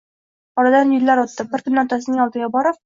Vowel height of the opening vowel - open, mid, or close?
open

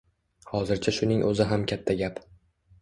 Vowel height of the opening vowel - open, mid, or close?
open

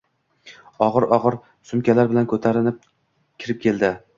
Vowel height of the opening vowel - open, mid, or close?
open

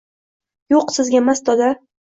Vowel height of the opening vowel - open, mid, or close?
mid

